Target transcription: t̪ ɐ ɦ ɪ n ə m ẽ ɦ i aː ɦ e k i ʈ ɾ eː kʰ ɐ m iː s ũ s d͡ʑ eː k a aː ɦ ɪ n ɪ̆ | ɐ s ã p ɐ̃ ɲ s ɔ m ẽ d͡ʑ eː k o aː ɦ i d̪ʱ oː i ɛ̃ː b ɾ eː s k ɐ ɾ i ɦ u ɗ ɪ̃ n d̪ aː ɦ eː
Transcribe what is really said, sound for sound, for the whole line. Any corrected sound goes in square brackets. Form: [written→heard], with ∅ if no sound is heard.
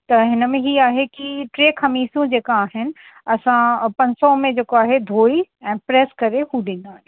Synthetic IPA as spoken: t̪ ɐ ɦ ɪ n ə m ẽ ɦ i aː ɦ e k i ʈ ɾ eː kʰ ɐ m iː s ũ [s→∅] d͡ʑ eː k a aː ɦ ɪ n ɪ̆ | ɐ s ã p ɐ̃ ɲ s ɔ m ẽ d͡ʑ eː k o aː ɦ [i→e] d̪ʱ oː i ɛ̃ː [b→p] ɾ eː s k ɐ ɾ [i→e] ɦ u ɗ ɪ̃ n d̪ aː ɦ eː